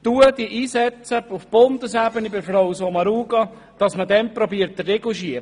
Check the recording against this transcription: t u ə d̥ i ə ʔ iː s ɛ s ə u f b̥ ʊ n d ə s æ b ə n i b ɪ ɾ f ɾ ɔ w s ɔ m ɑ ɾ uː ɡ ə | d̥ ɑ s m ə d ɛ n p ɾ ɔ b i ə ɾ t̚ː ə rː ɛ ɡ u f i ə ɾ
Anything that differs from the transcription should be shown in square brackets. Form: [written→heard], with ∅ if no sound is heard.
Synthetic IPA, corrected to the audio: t u ə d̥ i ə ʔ iː s ɛ [s→t͡s] ə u f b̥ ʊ n d ə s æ b ə n i b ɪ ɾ f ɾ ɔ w s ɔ m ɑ ɾ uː ɡ [ə→ɑ] | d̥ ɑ s m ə d ɛ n p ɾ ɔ b i ə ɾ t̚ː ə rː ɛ ɡ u [f→ʃ] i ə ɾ